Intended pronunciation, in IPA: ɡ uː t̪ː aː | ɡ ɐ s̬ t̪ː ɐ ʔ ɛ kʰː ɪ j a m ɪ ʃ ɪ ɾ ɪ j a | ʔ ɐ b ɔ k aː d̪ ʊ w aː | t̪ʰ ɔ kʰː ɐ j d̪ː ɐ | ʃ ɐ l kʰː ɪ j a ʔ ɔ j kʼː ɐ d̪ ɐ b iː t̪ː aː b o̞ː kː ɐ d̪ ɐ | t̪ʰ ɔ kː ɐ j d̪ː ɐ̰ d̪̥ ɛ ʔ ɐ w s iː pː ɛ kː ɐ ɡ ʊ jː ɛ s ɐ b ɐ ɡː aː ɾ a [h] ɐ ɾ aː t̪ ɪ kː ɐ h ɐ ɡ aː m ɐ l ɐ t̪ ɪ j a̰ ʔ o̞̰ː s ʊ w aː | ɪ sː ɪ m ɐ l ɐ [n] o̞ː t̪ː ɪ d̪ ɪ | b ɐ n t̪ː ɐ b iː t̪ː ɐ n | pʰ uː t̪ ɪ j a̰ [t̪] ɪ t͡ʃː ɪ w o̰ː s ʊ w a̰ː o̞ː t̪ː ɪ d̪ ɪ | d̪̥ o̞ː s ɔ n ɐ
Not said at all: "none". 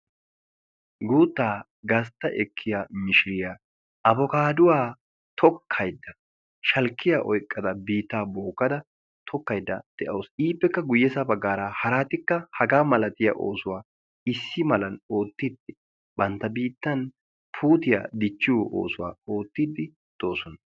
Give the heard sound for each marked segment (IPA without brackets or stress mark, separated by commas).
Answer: h, n, d̪